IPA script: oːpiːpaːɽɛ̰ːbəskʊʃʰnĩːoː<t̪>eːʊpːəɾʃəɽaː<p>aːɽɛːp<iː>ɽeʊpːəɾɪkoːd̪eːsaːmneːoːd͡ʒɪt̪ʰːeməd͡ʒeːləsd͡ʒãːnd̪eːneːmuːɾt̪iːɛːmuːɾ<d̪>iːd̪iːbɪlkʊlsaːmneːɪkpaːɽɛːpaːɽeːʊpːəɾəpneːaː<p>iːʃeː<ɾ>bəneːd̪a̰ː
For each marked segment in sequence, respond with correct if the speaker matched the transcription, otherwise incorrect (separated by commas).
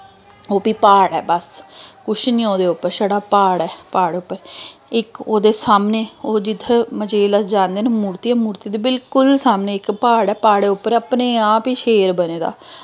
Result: incorrect, correct, incorrect, incorrect, correct, correct